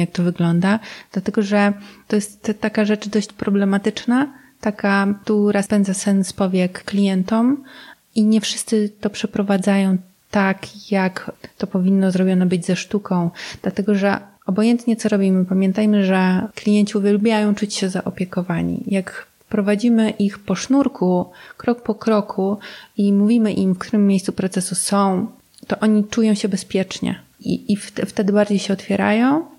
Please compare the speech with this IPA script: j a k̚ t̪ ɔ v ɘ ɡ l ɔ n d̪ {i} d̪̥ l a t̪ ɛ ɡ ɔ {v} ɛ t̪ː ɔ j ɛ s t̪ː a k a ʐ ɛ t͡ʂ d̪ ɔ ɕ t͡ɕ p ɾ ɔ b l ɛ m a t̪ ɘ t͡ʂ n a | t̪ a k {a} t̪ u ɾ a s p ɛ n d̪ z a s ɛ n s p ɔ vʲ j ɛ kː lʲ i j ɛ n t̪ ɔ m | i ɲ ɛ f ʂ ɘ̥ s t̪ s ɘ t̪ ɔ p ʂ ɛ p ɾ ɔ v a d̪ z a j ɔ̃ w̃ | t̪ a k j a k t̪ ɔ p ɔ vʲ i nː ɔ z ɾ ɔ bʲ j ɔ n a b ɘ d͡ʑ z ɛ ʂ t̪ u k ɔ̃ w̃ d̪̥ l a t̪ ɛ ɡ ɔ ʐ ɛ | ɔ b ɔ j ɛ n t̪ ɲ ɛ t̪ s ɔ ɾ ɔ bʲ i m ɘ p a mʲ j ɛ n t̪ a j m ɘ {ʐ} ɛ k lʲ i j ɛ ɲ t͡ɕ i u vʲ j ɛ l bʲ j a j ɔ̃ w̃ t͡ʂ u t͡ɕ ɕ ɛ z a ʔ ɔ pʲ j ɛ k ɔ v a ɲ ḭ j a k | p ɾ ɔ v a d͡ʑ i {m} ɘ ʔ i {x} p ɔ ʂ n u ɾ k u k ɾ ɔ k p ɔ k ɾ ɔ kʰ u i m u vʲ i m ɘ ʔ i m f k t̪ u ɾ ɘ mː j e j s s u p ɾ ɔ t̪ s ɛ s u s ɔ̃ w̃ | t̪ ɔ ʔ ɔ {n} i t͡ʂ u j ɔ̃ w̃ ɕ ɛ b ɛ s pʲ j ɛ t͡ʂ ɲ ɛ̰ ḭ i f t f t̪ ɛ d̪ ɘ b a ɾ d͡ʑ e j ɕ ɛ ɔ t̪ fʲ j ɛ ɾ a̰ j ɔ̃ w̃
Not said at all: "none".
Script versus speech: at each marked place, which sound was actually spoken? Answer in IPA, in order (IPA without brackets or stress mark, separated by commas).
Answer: a, ʐ, a, ʐ, m, x, ɲ